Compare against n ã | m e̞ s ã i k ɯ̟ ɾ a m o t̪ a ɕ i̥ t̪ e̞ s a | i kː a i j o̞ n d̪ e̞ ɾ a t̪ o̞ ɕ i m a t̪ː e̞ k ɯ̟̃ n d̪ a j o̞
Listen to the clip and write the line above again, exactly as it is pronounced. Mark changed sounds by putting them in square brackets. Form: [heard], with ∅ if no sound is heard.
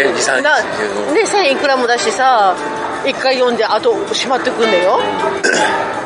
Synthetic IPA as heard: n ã | [n] e̞ s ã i k ɯ̟ ɾ a m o [d̪] a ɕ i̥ t̪ e̞ s a | i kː a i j [õ̞] n d̪ e̞ [∅] a t̪ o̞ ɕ i m a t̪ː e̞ k ɯ̟̃ n d̪ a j o̞